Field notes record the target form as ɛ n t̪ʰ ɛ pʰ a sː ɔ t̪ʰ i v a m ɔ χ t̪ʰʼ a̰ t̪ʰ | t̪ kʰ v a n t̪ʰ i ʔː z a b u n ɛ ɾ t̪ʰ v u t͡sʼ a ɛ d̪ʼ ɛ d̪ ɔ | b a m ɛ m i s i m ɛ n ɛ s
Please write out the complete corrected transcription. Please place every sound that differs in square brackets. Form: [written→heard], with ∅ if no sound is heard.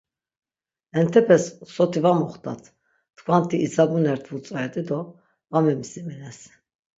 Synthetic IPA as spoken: ɛ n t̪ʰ ɛ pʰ [a→ɛ] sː ɔ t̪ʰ i v a m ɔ χ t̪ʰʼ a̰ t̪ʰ | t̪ kʰ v a n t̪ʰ i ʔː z a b u n ɛ ɾ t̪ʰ v u t͡sʼ a ɛ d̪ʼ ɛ d̪ ɔ | [b→v] a m ɛ m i s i m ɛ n ɛ s